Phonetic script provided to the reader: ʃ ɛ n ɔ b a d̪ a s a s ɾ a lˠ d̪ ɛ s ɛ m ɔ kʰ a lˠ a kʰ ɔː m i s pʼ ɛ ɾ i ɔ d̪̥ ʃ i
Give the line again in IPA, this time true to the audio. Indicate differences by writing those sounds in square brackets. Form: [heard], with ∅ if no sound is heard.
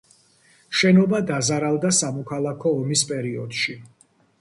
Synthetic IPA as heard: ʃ ɛ n ɔ b a d̪ a [z] a [∅] ɾ a lˠ d̪ [a] s [a] m ɔ kʰ a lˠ a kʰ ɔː m i s pʼ ɛ ɾ i ɔ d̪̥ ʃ i